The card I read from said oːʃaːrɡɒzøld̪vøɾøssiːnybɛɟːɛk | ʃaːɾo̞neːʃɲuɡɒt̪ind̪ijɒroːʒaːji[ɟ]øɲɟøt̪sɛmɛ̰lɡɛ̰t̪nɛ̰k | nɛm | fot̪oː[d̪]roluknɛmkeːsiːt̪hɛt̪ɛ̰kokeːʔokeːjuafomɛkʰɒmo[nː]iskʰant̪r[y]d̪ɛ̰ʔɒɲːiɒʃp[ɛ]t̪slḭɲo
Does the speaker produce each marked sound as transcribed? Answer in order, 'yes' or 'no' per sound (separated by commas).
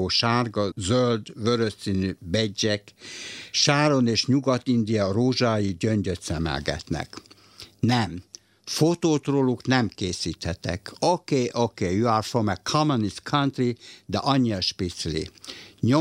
yes, no, no, no, no